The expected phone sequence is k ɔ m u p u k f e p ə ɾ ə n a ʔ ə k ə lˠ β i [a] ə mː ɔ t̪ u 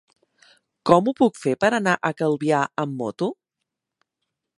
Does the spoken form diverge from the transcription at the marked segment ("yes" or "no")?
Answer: no